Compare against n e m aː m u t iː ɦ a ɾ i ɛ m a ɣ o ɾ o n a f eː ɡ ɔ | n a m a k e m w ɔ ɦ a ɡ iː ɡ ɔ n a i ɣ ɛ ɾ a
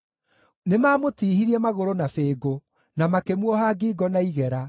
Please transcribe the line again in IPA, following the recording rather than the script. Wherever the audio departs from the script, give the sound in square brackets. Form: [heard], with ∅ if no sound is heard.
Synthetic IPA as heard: n e m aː m [o] t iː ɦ [i] ɾ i ɛ m a ɣ o ɾ o n a f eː ɡ [o] | n a m a k e m w ɔ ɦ a ɡ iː ɡ ɔ n a i ɣ ɛ ɾ a